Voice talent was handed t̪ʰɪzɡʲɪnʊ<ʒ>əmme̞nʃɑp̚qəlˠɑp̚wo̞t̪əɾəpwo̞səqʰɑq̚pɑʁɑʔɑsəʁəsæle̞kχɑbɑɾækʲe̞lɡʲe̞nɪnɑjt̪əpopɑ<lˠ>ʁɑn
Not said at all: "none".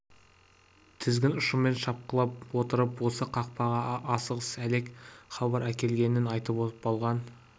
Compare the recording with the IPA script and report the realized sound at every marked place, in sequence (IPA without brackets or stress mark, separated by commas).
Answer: ʃ, lˠ